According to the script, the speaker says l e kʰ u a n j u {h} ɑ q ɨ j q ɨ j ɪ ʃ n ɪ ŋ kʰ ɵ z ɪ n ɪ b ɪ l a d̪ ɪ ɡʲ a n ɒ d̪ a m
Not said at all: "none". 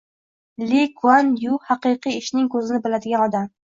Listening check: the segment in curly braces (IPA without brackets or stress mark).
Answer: h